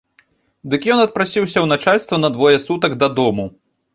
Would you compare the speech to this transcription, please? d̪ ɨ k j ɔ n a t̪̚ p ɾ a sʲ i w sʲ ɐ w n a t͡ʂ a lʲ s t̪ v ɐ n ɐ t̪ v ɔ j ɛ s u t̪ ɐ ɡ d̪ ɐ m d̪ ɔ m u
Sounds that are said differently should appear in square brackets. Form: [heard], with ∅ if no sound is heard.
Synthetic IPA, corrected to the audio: d̪ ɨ k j ɔ n [ɐ] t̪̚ p ɾ a sʲ i w sʲ ɐ w n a t͡ʂ a lʲ s t̪ v ɐ n ɐ [d̪] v ɔ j ɛ s u t̪ ɐ ɡ d̪ ɐ [∅] d̪ ɔ m u